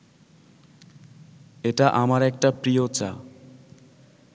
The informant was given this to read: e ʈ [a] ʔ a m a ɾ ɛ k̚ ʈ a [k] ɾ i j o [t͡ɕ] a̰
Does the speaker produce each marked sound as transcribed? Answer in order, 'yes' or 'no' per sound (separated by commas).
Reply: yes, no, yes